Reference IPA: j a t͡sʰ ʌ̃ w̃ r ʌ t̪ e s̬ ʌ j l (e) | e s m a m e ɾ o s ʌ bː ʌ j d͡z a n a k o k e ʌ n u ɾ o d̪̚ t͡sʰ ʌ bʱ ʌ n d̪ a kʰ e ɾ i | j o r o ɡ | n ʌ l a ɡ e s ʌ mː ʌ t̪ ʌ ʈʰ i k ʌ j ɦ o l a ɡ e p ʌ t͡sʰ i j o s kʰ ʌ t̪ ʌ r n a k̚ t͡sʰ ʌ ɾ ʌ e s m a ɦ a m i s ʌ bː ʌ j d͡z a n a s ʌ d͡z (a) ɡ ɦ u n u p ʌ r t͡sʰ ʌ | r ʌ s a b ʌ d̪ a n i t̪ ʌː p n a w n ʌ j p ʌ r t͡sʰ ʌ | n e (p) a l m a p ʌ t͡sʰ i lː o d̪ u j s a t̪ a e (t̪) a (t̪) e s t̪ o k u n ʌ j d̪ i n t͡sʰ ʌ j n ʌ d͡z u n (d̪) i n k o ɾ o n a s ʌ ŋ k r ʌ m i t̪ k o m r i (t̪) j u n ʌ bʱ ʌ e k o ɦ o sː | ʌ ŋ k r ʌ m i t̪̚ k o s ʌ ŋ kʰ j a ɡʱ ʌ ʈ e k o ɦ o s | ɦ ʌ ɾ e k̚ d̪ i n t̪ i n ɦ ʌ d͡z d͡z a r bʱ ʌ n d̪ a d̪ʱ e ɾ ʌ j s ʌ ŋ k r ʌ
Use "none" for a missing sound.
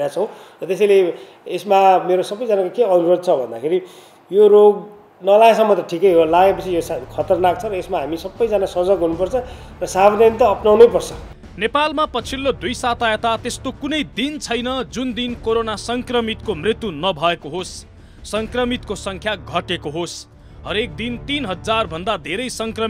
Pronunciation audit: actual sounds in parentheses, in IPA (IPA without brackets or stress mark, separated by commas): e, ʌ, p, t̪, t̪, d̪, t̪